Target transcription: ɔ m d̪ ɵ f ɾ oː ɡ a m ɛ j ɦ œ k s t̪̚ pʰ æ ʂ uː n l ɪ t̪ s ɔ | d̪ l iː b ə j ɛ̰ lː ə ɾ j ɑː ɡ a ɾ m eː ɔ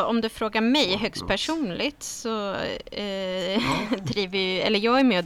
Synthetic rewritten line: ɔ m d̪ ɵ f ɾ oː ɡ a m ɛ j ɦ œ k s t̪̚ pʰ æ ʂ uː n l ɪ t̪ s ɔ | d̪ ɾ iː v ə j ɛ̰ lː ə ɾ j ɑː ɡ æ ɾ m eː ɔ